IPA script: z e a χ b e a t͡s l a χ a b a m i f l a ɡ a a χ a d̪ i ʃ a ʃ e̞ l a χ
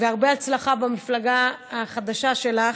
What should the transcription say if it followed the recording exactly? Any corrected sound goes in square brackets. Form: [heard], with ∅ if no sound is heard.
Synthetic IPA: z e a [ʁ] b e a t͡s l a χ a b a m i f l a ɡ a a χ a d̪ [a] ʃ a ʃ e̞ l a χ